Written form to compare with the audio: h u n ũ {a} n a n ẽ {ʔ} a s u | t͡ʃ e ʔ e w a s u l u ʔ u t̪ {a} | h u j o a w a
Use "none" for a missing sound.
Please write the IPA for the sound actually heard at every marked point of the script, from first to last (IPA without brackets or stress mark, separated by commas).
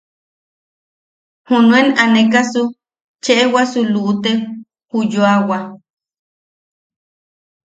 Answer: e, k, e